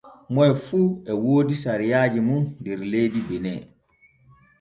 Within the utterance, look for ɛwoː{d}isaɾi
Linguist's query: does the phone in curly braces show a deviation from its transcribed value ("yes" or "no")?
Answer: no